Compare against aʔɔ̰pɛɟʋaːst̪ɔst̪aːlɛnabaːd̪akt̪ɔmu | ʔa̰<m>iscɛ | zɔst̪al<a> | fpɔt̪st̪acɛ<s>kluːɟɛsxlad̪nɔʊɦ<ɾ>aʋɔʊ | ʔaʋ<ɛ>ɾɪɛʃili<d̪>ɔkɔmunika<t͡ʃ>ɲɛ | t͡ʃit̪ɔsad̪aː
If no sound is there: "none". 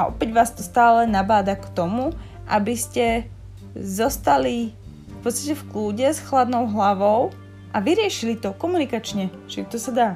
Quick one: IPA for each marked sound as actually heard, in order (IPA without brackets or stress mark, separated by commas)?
b, i, f, l, i, t̪, t͡ʃ